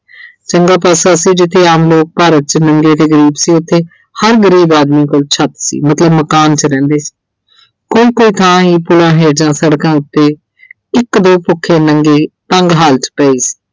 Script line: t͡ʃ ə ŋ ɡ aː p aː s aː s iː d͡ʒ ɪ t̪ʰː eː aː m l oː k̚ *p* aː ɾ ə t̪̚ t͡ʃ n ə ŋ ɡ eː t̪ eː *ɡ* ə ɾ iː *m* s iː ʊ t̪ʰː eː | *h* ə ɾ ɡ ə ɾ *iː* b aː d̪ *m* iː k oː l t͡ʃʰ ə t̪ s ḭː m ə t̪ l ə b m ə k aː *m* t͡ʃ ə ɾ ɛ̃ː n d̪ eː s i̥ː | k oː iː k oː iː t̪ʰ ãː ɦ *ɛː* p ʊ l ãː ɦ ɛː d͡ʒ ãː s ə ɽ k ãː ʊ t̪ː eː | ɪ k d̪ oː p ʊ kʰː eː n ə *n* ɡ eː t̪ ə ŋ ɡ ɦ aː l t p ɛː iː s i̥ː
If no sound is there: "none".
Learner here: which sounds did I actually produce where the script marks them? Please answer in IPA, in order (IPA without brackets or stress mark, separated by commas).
p, ɡ, b, h, iː, m, n, iː, ŋ